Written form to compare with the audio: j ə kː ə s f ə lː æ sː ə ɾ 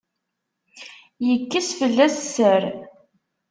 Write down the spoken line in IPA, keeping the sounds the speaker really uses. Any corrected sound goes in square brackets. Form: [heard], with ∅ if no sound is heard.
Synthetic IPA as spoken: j ə kː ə s f ə lː æ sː ə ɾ